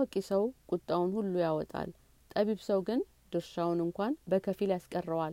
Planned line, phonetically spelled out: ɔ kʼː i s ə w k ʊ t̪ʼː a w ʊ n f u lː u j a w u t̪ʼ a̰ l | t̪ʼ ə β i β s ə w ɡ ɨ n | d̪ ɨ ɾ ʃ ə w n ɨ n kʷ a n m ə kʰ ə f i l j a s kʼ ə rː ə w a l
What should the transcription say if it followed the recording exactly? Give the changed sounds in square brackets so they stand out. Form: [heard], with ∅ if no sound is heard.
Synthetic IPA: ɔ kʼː i s ə w [kʼ] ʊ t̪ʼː a w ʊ n [h] u lː u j a w [ɔ] t̪ʼ a̰ l | t̪ʼ ə β i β s ə w ɡ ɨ n | d̪ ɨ ɾ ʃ [a] w n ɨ [ŋ] kʷ a n [b] ə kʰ ə f i l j a s kʼ ə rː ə w a l